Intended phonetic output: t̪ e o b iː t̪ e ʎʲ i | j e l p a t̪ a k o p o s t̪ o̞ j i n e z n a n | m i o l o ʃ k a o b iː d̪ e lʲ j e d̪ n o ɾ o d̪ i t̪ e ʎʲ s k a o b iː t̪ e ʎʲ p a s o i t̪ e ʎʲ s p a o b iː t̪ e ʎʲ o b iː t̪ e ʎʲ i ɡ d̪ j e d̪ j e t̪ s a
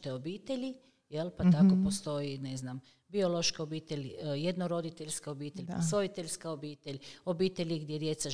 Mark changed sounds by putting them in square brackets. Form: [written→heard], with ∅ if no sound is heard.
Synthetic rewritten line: t̪ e o b iː t̪ e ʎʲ i | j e l p a t̪ a k o p o s t̪ o̞ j i n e z n a [n→m] | [m→b] i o l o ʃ k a o b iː [d̪→t̪] e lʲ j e d̪ n o ɾ o d̪ i t̪ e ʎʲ s k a o b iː t̪ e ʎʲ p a s o i t̪ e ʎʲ s [p→k] a o b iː t̪ e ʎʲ o b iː t̪ e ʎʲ i ɡ d̪ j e d̪ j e t̪ s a